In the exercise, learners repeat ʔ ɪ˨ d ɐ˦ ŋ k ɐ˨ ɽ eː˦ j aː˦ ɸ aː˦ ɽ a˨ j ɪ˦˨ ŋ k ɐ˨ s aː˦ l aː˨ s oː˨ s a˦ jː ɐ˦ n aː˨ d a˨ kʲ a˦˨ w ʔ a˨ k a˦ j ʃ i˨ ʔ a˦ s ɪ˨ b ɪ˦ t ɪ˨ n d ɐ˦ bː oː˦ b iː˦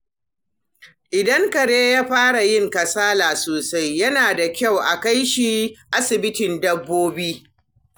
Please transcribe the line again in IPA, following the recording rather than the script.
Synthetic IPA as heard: ʔ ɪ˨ d ɐ˦ ŋ k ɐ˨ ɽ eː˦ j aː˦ ɸ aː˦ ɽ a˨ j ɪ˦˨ ŋ k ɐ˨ s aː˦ l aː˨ s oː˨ s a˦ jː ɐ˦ n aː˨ d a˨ kʲ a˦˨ w ʔ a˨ k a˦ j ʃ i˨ ʔ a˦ s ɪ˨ b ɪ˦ t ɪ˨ n d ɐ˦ bː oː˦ b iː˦